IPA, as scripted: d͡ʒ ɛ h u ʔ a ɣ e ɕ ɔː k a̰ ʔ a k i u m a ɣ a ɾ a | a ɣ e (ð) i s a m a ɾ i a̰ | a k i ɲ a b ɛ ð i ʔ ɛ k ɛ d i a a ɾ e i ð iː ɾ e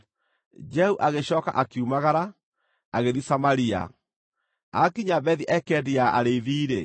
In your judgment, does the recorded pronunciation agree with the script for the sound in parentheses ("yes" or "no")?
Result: yes